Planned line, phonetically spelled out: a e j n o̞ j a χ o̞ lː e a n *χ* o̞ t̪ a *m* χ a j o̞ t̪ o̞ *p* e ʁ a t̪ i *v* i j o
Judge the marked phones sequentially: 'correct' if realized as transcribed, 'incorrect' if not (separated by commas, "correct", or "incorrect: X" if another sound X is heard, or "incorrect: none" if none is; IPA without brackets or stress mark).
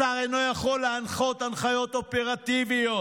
correct, incorrect: n, correct, correct